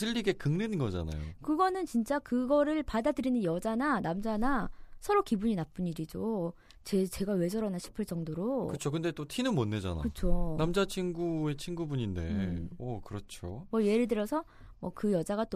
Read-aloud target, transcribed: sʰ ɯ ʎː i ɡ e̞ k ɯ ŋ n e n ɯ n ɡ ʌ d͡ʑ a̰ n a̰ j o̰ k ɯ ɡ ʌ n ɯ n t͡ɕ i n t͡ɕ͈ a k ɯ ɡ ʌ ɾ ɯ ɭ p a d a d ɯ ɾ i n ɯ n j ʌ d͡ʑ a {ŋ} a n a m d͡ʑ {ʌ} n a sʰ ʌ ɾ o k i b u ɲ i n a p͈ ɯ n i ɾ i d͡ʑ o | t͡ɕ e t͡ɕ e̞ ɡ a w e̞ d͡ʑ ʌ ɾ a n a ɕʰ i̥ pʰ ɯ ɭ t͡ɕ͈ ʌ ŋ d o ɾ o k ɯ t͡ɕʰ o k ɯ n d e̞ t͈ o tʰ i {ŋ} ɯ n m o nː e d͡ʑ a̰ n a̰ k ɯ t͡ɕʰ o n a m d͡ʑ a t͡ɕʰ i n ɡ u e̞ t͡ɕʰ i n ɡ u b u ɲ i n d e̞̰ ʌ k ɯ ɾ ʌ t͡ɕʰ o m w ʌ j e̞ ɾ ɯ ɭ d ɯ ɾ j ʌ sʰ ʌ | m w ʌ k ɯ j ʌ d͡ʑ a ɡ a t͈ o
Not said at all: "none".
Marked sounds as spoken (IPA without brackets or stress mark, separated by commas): n, a, n